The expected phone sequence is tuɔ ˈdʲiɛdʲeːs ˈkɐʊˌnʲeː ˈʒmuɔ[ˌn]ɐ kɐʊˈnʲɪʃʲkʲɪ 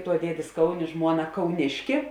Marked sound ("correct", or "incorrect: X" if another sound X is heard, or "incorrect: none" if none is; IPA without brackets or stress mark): correct